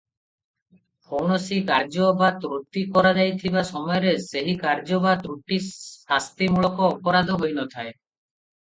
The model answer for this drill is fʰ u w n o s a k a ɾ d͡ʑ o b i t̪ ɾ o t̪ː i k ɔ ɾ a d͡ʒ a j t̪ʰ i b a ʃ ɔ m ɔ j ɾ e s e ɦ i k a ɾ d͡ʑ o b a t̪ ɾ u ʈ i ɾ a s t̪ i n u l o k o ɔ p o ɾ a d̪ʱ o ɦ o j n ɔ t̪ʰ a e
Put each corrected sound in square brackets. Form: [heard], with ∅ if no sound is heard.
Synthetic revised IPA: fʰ [o] w n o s [i] k a ɾ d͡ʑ o b [a] t̪ ɾ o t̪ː i k ɔ ɾ a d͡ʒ a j t̪ʰ i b a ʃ ɔ m ɔ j ɾ e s e ɦ i k a ɾ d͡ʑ o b a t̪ ɾ u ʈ i [∅] a s t̪ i [m] u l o k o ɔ p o ɾ a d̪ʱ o ɦ o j n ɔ t̪ʰ a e